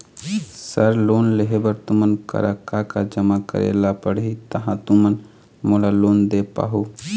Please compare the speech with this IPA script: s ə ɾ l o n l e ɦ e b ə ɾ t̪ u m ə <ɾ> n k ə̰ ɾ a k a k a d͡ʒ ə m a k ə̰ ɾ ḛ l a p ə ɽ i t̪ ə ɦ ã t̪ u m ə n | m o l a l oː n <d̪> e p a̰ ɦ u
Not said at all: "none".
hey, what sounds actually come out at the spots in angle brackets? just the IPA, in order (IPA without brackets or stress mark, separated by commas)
none, d̪